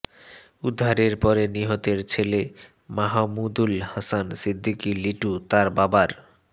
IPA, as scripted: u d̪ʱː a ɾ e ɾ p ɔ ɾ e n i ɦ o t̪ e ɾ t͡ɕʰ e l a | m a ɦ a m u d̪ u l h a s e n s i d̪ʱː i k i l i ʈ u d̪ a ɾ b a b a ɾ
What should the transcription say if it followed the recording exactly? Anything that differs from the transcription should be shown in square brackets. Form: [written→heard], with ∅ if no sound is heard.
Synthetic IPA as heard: u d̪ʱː a ɾ e ɾ p ɔ ɾ e n i ɦ o t̪ e ɾ t͡ɕʰ e l [a→e] | m a ɦ a m u d̪ u l h a s [e→a] n s i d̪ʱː i k i l i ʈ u [d̪→t̪] a ɾ b a b a ɾ